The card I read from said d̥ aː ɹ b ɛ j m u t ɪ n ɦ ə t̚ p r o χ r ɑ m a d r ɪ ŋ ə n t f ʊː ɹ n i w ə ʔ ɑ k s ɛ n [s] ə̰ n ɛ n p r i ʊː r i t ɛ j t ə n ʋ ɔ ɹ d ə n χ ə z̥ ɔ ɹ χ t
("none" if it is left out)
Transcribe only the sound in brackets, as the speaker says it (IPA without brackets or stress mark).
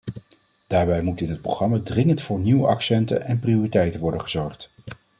t